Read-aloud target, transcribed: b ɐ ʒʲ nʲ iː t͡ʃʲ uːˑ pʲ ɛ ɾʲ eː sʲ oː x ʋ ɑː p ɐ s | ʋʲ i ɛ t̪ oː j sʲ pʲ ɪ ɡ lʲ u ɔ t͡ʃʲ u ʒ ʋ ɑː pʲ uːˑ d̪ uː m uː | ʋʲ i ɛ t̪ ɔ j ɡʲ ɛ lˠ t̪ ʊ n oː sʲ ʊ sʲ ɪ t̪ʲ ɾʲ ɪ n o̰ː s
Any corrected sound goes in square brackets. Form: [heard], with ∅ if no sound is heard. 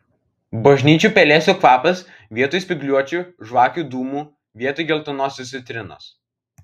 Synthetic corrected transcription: b ɐ ʒʲ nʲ iː t͡ʃʲ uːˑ pʲ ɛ [lʲ] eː sʲ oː [k] ʋ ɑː p ɐ s | ʋʲ i ɛ t̪ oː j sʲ pʲ ɪ ɡ lʲ u ɔ t͡ʃʲ u ʒ ʋ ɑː [kʲ] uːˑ d̪ uː m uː | ʋʲ i ɛ t̪ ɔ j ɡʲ ɛ lˠ t̪ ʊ n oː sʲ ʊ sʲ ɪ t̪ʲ ɾʲ ɪ n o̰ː s

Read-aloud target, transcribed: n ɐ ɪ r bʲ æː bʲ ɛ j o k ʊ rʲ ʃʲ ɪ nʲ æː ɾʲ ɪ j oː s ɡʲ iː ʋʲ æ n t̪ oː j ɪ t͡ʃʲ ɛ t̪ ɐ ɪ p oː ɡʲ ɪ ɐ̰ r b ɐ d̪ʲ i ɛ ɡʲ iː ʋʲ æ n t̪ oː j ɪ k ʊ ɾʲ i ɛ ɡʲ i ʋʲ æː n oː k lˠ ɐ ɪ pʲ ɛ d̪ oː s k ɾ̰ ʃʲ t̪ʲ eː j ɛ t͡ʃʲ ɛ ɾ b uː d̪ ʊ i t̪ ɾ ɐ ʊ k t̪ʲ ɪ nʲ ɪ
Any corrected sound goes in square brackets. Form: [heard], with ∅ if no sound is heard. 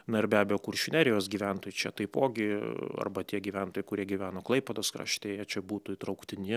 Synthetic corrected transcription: n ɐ ɪ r bʲ æː bʲ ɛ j o k ʊ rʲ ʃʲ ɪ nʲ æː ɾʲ ɪ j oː s ɡʲ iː ʋʲ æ n t̪ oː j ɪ t͡ʃʲ ɛ t̪ ɐ ɪ p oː ɡʲ ɪ ɐ̰ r b ɐ [t̪ʲ] i ɛ ɡʲ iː ʋʲ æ n t̪ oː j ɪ k ʊ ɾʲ i ɛ ɡʲ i ʋʲ æː n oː k lˠ ɐ ɪ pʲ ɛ d̪ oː s k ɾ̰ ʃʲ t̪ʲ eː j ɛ t͡ʃʲ ɛ [∅] b uː [t̪] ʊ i t̪ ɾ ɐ ʊ k t̪ʲ ɪ nʲ ɪ

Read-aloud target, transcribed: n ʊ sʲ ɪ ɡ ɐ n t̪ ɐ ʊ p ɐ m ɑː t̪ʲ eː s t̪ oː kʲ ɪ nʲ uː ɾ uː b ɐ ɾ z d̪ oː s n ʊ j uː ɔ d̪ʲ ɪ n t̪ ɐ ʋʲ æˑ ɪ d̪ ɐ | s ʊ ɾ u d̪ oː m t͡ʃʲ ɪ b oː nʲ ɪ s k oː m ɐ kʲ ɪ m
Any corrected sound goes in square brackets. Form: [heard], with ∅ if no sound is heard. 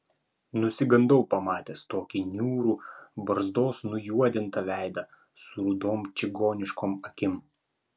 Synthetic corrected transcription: n ʊ sʲ ɪ ɡ ɐ n [d̪] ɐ ʊ p ɐ m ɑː t̪ʲ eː s t̪ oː kʲ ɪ nʲ uː ɾ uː b ɐ ɾ z d̪ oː s n ʊ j [u] ɔ d̪ʲ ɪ n t̪ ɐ ʋʲ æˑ ɪ d̪ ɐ | s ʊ ɾ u d̪ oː m t͡ʃʲ ɪ [ɡ] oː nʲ ɪ [ʃ] k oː m ɐ kʲ ɪ m

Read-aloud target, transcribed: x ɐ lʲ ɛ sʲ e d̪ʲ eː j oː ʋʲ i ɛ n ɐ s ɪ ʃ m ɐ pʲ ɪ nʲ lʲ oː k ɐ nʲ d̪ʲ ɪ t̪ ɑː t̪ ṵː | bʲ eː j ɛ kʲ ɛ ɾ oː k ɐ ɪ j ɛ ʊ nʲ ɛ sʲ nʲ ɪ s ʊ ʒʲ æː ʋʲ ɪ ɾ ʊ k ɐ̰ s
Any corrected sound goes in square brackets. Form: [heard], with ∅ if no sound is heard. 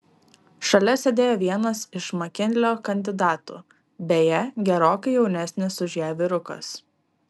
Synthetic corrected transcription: [ʃ] ɐ lʲ ɛ sʲ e d̪ʲ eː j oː ʋʲ i ɛ n ɐ s ɪ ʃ m ɐ [kʲ] ɪ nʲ lʲ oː k ɐ nʲ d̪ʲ ɪ [d̪] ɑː t̪ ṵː | bʲ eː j ɛ [ɡʲ] ɛ ɾ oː k ɐ ɪ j ɛ ʊ nʲ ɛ sʲ nʲ ɪ s ʊ ʒʲ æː ʋʲ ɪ ɾ ʊ k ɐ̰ s

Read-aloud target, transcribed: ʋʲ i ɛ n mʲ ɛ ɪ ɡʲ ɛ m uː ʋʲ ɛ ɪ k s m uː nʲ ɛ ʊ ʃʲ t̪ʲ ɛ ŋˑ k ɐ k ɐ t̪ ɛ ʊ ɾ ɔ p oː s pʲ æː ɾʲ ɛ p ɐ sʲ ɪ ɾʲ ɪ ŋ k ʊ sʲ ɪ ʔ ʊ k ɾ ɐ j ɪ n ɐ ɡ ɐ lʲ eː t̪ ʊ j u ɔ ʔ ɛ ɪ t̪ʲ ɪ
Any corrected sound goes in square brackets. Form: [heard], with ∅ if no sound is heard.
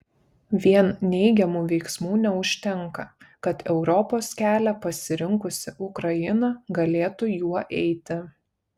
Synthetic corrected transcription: ʋʲ i ɛ n [nʲ] ɛ ɪ ɡʲ ɛ m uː ʋʲ ɛ ɪ k s m uː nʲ ɛ ʊ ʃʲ t̪ʲ ɛ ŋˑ k ɐ k ɐ t̪ ɛ ʊ ɾ ɔ p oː s [kʲ] æː [lʲ] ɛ p ɐ sʲ ɪ ɾʲ ɪ ŋ k ʊ sʲ ɪ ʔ ʊ k ɾ ɐ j ɪ n ɐ ɡ ɐ lʲ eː t̪ ʊ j u ɔ ʔ ɛ ɪ t̪ʲ ɪ

